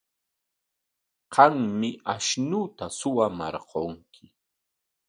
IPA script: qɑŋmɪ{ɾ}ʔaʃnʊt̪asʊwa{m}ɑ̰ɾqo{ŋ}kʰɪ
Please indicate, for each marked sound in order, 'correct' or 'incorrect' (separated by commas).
incorrect, correct, correct